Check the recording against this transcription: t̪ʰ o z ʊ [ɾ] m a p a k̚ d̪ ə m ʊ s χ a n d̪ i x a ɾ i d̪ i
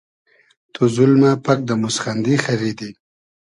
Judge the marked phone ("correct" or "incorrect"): incorrect